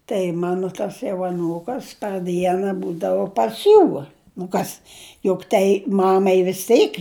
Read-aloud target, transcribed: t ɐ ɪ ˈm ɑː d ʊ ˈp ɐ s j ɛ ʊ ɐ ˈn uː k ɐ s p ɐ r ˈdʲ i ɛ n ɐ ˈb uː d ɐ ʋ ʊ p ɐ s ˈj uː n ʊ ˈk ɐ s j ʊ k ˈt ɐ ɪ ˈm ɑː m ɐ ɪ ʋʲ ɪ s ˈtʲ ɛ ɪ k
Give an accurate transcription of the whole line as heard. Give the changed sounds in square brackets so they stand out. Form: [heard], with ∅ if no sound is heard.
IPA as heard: t ɐ ɪ ˈm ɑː [n] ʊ [ˈt] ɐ s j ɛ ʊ ɐ ˈn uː k ɐ s p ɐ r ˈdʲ i ɛ n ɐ ˈb uː d ɐ ʋ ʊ p ɐ s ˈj uː n ʊ ˈk ɐ s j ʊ k ˈt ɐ ɪ ˈm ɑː m ɐ ɪ ʋʲ ɪ s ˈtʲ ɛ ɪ k